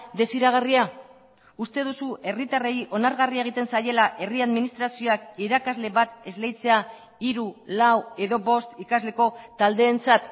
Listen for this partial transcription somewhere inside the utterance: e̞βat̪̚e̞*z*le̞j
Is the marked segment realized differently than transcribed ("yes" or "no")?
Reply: no